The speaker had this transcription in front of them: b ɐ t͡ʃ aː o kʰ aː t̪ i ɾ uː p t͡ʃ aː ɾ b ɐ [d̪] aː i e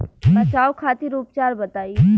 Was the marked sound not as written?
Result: yes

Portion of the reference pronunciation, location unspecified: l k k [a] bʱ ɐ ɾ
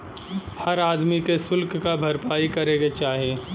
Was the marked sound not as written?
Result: no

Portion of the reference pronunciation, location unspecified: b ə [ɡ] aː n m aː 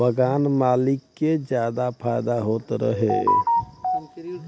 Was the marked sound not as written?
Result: no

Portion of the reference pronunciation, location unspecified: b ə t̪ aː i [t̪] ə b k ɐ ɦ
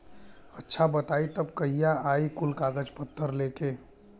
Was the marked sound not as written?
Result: no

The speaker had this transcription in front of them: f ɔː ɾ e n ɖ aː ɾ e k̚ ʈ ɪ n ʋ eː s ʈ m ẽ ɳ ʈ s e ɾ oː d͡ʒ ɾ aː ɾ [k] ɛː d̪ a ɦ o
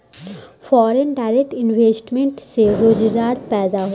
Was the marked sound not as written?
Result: yes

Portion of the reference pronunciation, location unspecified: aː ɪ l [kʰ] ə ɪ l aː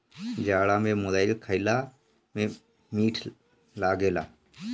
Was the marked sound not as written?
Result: no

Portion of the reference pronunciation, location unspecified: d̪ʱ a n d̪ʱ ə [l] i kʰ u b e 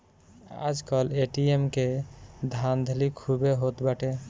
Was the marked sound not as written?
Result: no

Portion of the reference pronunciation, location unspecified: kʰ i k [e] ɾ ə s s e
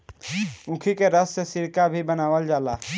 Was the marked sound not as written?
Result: no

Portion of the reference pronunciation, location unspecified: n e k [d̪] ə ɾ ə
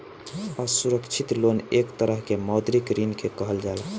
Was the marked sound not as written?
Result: yes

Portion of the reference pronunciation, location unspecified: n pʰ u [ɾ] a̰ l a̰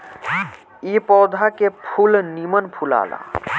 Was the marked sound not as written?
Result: yes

